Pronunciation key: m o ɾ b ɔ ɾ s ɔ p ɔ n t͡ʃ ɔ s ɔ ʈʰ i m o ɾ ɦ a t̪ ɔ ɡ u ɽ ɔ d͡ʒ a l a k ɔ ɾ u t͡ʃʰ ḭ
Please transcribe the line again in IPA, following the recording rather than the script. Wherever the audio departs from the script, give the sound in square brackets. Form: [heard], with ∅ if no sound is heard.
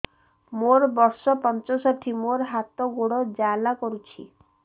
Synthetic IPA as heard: m o ɾ b ɔ ɾ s ɔ p ɔ n t͡ʃ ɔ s ɔ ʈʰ i m o ɾ ɦ a t̪ ɔ ɡ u ɽ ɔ d͡ʒ a l a k ɔ ɾ u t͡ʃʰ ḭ